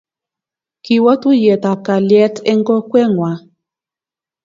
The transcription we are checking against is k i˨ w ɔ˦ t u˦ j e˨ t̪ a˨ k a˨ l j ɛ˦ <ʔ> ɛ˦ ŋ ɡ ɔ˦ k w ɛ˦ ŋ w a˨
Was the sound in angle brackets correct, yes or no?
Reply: no